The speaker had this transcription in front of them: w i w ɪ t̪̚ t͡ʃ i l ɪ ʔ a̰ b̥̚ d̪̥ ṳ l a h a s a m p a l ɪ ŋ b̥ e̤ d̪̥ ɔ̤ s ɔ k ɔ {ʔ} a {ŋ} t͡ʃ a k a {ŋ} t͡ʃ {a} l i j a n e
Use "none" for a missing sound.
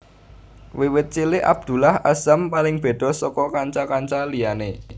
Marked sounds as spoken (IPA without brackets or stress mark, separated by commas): k, ɲ, ɲ, a